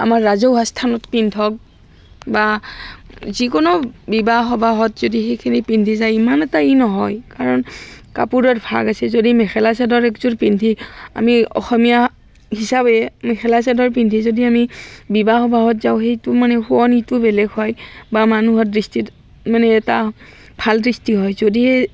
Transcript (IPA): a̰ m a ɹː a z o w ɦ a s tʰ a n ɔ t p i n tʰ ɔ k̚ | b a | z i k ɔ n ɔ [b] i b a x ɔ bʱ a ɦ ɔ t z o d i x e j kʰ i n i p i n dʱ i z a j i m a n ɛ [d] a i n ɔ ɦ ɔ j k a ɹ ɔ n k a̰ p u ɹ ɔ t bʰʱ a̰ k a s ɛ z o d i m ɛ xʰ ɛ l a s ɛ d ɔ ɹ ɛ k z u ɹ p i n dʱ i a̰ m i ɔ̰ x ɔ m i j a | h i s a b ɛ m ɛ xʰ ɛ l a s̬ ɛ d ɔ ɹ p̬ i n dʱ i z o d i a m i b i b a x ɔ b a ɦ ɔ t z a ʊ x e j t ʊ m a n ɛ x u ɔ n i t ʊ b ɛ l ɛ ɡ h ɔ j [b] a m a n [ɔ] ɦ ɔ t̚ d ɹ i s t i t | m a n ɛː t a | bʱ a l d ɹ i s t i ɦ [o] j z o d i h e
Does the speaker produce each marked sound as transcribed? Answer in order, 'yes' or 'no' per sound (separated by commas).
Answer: yes, no, yes, no, no